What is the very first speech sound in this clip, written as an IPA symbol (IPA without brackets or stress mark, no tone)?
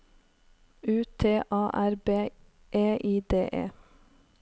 ʉː